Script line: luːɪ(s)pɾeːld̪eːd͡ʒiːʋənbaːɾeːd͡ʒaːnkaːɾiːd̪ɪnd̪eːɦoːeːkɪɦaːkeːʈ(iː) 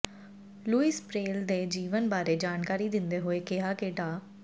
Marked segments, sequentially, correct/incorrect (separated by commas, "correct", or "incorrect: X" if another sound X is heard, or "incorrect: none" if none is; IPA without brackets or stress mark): correct, incorrect: aː